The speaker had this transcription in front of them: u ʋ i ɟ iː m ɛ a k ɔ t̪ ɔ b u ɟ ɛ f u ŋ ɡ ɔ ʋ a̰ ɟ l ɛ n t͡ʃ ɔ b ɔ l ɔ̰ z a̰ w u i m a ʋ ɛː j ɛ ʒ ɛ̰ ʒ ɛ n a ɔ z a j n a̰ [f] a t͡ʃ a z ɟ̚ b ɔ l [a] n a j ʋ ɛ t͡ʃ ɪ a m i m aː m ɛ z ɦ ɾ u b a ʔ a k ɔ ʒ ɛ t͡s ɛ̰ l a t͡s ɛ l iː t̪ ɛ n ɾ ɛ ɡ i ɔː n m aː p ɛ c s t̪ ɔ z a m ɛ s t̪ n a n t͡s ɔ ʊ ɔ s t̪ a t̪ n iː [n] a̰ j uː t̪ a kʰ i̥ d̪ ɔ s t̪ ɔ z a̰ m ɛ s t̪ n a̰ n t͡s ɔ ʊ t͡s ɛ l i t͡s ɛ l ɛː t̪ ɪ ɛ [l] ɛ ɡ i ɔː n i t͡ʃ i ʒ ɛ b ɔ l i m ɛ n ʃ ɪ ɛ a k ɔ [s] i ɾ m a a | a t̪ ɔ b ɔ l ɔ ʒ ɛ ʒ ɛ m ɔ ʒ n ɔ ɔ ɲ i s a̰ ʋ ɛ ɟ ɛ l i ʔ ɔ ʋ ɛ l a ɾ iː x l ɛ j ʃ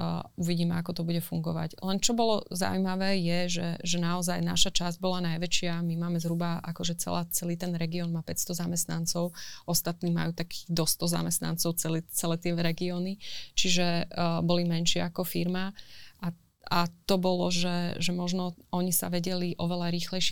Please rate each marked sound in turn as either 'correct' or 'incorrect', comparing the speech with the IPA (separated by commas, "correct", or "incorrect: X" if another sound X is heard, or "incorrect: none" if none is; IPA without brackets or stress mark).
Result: incorrect: ʃ, correct, incorrect: m, incorrect: ɾ, incorrect: f